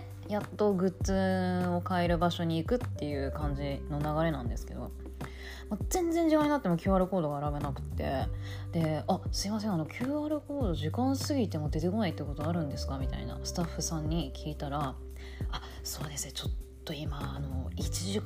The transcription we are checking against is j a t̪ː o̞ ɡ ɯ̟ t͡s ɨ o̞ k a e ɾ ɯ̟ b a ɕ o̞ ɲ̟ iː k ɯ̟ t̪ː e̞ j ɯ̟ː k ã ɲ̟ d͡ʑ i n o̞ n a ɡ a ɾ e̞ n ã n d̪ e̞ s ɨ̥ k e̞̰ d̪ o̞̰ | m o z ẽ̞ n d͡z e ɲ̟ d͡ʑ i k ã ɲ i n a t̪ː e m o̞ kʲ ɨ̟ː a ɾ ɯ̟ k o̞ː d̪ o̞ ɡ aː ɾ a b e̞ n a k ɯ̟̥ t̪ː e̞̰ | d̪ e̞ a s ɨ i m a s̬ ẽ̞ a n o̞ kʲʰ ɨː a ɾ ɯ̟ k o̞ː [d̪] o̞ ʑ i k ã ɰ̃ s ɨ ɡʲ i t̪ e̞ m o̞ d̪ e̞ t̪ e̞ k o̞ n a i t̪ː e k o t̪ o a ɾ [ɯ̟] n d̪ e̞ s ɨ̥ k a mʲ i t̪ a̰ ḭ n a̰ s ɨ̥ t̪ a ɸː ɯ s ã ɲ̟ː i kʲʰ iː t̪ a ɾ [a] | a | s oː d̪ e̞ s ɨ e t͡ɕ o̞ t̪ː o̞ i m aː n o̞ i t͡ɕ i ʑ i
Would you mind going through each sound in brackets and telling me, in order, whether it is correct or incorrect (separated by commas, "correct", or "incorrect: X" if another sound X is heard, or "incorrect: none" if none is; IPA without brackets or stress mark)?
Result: correct, incorrect: ɯ̟̃, correct